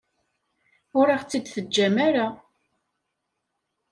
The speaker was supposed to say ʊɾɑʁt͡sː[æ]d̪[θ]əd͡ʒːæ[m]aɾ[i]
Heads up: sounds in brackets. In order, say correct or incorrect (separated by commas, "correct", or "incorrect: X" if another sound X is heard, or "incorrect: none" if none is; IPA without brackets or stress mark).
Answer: incorrect: i, correct, correct, incorrect: a